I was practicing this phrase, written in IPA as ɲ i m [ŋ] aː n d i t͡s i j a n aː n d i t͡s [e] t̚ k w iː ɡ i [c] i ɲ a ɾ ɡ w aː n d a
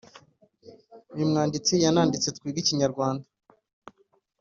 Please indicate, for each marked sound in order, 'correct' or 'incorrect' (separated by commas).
correct, correct, correct